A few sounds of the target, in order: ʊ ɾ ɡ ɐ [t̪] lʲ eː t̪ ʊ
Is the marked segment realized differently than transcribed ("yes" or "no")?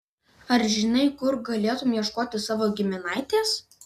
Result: yes